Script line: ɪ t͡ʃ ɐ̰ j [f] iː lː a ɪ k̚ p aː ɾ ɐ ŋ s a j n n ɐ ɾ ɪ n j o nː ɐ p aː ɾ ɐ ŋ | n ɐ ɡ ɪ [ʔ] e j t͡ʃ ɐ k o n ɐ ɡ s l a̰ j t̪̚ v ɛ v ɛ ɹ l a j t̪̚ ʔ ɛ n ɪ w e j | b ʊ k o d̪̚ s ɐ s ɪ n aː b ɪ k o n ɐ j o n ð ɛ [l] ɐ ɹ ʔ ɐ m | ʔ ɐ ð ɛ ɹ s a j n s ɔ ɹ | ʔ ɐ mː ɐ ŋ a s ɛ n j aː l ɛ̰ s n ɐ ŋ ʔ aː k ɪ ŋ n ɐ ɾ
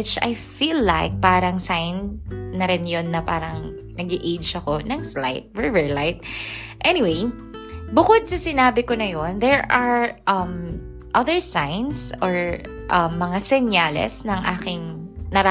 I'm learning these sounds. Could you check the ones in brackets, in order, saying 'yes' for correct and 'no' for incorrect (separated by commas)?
yes, yes, no